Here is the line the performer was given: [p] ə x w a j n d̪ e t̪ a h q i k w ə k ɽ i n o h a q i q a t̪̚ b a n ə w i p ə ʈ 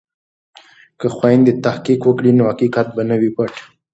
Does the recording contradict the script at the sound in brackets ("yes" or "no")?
yes